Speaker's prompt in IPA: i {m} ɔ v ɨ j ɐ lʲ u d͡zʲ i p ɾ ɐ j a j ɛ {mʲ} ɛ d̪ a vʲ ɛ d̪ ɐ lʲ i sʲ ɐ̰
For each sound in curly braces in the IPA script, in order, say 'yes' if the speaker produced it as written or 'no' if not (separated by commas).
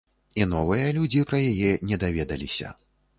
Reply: no, no